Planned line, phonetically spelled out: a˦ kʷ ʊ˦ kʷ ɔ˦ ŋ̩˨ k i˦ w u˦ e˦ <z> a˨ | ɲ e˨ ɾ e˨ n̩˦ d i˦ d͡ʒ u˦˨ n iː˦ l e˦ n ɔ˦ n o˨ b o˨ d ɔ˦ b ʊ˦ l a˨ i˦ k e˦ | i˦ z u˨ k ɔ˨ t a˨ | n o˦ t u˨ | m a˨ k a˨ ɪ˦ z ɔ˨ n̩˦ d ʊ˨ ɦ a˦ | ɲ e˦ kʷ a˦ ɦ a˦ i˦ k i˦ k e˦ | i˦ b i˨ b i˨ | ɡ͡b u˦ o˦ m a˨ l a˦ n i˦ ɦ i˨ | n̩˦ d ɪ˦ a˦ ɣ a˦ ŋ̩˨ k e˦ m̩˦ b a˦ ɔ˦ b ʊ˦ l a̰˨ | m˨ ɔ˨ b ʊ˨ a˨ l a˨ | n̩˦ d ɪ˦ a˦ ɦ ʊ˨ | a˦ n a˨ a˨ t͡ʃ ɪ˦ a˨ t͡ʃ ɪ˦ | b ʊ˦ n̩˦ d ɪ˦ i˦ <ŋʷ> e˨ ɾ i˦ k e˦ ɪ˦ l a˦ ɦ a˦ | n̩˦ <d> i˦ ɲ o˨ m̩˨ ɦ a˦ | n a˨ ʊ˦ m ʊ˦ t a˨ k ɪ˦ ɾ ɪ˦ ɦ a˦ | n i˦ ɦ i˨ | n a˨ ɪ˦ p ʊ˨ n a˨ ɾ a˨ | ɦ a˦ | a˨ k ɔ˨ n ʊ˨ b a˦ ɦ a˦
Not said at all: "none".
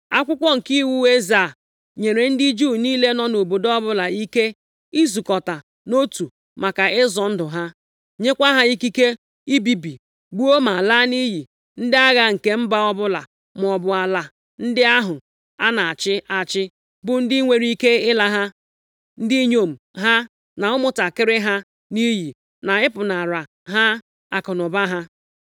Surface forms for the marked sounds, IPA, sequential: z, ŋʷ, d

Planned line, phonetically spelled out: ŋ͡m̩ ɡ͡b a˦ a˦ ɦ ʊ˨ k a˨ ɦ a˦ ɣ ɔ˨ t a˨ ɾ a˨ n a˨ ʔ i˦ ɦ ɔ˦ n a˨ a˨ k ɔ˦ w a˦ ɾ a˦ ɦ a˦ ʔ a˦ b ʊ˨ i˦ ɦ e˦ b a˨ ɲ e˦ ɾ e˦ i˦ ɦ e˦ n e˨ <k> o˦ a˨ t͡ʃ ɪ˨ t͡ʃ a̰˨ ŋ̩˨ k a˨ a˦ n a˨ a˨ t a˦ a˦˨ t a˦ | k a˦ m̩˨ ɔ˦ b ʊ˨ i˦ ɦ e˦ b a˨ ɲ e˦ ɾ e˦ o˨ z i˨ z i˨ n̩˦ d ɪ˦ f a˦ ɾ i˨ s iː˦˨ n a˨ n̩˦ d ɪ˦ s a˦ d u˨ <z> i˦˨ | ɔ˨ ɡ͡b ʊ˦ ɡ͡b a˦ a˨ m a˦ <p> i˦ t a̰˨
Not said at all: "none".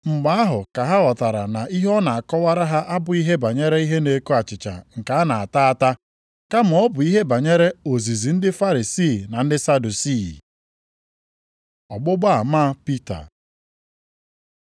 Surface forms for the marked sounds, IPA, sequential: k, s, p

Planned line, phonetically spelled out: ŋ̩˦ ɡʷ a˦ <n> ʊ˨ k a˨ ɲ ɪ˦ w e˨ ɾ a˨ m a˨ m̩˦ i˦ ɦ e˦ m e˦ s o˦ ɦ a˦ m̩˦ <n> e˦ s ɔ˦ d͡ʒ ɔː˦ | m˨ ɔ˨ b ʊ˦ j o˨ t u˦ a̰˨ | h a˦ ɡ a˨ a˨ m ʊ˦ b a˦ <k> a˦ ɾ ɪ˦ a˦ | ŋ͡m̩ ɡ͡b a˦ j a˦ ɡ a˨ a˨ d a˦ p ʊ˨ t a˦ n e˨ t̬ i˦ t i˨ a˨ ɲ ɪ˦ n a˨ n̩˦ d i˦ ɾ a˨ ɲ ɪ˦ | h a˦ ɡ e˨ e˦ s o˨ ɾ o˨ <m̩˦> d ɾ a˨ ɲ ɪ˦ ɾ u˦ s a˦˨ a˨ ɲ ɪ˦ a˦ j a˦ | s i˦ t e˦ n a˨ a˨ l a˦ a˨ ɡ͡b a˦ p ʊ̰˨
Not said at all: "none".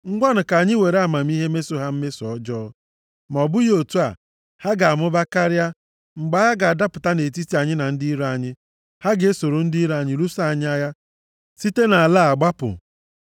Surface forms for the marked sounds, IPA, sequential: n, m, k, n̩˦

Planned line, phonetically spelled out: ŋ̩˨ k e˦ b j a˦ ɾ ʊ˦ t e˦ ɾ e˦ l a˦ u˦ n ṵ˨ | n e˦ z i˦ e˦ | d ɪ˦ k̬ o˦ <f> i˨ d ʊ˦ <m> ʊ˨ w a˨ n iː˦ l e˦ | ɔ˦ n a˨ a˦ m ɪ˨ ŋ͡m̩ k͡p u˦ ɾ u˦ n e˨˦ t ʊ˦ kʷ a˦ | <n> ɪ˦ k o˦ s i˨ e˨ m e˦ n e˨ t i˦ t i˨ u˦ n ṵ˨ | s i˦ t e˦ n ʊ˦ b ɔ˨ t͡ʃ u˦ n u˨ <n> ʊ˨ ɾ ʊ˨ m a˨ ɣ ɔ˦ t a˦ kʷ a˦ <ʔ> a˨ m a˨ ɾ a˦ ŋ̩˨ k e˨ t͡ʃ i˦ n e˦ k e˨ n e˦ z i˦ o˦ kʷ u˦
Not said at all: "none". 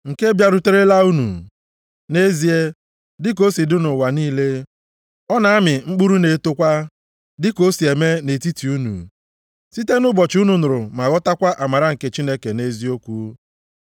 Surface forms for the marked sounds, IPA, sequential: s, n, d, n, ʔ

